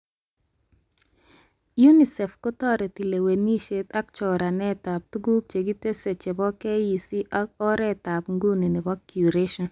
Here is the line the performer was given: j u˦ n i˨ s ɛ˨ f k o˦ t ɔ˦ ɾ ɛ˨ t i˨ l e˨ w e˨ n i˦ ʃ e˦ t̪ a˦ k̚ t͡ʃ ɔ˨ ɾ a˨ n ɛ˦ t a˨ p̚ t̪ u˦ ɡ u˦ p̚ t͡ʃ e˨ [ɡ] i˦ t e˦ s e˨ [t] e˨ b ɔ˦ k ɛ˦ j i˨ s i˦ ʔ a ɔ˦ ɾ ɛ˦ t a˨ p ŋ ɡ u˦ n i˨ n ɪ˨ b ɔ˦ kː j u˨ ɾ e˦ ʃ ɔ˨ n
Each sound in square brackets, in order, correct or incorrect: correct, incorrect: t͡ʃ

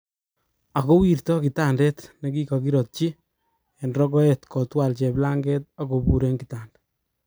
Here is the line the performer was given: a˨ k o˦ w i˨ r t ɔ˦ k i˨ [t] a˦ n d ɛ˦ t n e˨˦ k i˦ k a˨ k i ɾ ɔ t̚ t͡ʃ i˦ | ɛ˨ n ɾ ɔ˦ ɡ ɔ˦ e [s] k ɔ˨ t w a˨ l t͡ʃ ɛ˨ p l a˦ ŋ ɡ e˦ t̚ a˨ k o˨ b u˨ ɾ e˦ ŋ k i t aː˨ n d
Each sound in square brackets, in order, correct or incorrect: correct, incorrect: t

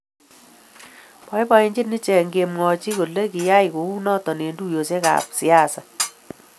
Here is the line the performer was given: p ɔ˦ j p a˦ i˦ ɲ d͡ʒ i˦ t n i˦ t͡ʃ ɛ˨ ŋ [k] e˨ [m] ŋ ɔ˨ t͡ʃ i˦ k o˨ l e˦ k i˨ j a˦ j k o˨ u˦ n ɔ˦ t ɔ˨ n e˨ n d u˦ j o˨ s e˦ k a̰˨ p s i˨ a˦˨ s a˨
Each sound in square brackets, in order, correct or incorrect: incorrect: ɡ, correct

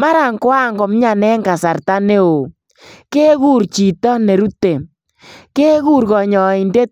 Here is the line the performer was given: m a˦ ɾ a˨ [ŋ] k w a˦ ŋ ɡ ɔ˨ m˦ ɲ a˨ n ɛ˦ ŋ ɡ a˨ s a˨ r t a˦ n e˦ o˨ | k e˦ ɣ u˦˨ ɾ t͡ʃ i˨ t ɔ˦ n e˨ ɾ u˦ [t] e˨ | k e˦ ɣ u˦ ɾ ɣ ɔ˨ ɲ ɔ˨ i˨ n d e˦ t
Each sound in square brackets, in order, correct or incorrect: correct, correct

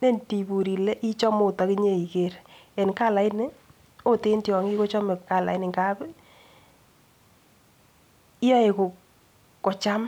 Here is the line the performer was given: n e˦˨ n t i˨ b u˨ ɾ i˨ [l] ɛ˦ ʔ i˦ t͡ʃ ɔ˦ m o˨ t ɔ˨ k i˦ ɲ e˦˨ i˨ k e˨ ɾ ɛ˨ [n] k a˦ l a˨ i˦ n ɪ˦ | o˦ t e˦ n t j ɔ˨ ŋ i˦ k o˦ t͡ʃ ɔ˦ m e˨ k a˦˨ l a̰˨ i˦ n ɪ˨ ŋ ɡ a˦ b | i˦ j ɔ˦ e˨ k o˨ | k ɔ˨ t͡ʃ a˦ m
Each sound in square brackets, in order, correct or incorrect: correct, correct

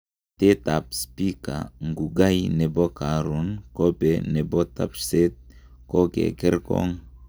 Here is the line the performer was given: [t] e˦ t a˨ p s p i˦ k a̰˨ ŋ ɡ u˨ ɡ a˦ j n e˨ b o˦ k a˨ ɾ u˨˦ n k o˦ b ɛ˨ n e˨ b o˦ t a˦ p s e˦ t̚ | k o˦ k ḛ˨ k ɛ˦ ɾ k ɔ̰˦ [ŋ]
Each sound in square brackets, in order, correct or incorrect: correct, correct

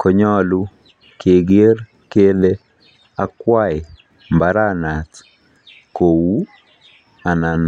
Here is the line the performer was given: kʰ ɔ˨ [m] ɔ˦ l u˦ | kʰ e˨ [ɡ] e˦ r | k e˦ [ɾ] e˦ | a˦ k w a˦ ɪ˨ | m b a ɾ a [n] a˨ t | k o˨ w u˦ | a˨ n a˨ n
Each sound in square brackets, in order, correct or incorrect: incorrect: ɲ, correct, incorrect: l, correct

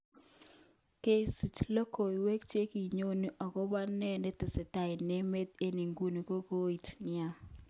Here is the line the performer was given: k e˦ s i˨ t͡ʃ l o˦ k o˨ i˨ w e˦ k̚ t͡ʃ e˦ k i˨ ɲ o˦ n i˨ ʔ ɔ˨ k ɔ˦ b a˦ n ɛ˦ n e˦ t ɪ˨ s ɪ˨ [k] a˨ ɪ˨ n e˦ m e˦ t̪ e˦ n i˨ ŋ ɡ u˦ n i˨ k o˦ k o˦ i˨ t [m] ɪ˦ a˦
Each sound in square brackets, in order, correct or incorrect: incorrect: t, incorrect: n

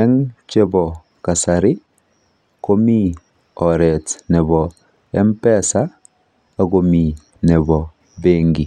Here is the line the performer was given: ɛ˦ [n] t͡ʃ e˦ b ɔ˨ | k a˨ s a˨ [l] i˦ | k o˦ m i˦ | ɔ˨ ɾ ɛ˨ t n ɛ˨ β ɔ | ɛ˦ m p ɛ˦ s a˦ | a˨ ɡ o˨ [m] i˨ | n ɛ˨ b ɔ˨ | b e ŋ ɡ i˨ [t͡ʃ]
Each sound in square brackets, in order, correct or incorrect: incorrect: ŋ, incorrect: ɾ, correct, incorrect: none

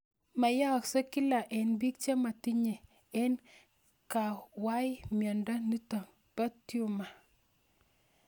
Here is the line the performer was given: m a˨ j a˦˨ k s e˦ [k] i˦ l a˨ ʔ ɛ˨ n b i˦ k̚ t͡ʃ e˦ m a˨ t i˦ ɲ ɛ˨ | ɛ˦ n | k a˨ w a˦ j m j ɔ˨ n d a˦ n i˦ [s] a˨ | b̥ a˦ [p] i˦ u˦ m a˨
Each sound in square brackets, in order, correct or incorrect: correct, incorrect: t, incorrect: t

